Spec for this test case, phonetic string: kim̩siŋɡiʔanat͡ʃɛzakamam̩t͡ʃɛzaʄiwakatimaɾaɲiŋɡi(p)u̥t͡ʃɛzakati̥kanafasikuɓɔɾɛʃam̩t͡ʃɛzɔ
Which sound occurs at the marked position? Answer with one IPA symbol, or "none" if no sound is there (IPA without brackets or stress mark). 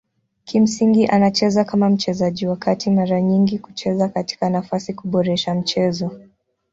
k